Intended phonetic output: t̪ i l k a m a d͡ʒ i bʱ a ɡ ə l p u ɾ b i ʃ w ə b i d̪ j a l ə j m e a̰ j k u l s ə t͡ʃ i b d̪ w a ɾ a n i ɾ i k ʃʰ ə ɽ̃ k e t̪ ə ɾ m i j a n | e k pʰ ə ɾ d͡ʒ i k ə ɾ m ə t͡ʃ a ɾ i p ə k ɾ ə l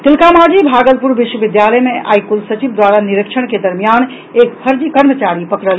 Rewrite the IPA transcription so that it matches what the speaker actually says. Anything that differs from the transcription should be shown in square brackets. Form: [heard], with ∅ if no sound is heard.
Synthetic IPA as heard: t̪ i l k a m a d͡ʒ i bʱ a ɡ ə l p u ɾ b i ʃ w ə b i d̪ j a l ə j m e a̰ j k u l s ə t͡ʃ i b d̪ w a ɾ a n i ɾ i k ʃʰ ə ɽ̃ k e [d̪] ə ɾ m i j a n | e k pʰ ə ɾ d͡ʒ i k ə ɾ m ə t͡ʃ a ɾ i p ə k ɾ ə l